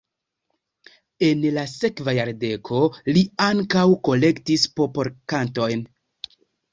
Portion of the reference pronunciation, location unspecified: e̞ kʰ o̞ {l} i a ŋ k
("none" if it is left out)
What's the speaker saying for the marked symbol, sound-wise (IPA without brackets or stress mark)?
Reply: l